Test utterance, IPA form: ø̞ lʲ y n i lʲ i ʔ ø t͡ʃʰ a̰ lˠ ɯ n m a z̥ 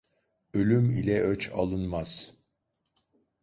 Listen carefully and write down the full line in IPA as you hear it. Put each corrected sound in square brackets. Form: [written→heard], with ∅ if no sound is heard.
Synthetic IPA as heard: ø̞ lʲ y [n→m] i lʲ [i→ɛ] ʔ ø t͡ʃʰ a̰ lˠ ɯ n m a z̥